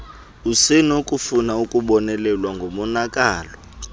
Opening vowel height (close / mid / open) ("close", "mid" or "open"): close